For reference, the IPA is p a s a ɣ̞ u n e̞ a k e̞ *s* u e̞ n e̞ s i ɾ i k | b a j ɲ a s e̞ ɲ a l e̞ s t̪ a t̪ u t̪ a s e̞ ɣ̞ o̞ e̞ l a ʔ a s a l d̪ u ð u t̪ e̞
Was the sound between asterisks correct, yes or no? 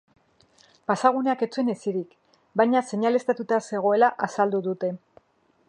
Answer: no